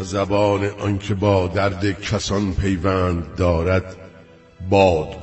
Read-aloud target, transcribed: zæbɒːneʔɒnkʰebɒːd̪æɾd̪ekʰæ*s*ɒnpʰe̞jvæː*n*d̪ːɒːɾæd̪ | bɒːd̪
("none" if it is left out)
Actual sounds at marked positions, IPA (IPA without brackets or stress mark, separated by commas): s, n